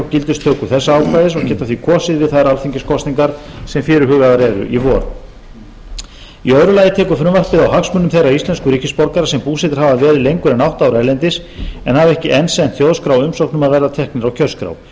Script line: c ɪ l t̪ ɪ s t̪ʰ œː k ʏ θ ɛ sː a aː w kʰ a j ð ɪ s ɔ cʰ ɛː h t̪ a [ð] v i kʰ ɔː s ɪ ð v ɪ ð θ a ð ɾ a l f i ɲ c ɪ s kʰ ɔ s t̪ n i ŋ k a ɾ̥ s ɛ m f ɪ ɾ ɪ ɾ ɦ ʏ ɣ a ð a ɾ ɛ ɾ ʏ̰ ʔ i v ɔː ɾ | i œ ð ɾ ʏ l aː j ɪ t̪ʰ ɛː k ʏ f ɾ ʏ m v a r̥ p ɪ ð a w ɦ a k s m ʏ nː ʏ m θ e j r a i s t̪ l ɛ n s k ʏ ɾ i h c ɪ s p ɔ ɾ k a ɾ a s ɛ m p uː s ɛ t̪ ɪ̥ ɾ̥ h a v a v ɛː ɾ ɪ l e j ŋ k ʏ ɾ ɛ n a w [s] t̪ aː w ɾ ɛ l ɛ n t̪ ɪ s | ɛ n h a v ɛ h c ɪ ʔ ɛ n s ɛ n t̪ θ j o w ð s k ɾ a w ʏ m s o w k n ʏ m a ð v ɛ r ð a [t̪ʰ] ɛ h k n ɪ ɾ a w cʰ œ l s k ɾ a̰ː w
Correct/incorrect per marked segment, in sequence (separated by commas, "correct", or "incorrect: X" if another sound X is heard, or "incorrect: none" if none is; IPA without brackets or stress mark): incorrect: θ, incorrect: h, correct